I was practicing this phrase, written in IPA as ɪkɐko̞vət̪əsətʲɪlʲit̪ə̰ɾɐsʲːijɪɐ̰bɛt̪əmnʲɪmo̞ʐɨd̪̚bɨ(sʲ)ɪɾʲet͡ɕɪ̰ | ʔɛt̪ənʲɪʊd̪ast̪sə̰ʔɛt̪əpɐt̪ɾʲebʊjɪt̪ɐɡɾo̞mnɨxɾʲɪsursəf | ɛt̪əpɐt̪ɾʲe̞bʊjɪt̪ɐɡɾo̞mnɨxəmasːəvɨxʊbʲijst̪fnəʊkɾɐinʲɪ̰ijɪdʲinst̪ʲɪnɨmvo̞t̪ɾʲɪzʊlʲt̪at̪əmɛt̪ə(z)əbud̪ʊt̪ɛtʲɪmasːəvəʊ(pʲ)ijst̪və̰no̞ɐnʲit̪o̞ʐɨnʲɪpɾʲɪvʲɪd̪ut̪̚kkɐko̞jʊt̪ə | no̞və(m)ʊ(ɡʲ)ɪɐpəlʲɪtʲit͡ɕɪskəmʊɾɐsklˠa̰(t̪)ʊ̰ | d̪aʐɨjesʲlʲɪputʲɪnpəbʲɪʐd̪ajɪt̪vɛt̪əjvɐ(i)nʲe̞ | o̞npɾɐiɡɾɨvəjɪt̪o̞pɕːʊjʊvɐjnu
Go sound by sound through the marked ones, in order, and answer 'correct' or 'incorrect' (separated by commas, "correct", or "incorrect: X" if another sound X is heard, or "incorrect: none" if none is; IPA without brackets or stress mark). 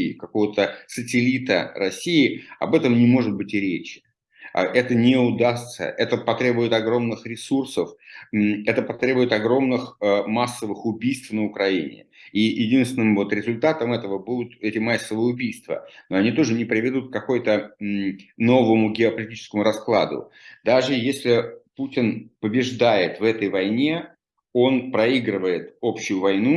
incorrect: tʲ, incorrect: v, incorrect: bʲ, correct, correct, incorrect: d̪, incorrect: j